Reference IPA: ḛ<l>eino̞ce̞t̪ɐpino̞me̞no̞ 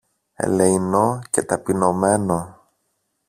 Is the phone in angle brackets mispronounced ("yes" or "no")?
no